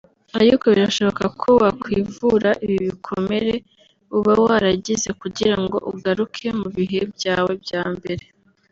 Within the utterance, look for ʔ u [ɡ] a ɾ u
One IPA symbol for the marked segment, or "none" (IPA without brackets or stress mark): ɡ